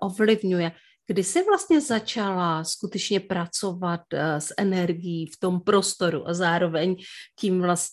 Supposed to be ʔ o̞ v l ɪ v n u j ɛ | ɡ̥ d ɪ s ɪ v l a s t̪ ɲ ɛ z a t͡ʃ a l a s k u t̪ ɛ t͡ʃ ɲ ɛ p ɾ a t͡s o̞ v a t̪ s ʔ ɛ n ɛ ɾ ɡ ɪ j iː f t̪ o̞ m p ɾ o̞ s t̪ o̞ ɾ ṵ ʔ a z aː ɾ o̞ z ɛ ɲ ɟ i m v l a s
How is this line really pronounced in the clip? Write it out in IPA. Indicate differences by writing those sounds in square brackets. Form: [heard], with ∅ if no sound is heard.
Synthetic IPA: ʔ o̞ v l ɪ v [ɲ] u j ɛ | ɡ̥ d ɪ s ɪ v l a s t̪ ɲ ɛ z a t͡ʃ a l a s k u t̪ ɛ t͡ʃ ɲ ɛ p ɾ a t͡s o̞ v a t̪ s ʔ ɛ n ɛ ɾ ɡ ɪ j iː f t̪ o̞ m p ɾ o̞ s t̪ o̞ ɾ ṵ ʔ a z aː ɾ o̞ [v] ɛ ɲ [c] i m v l a s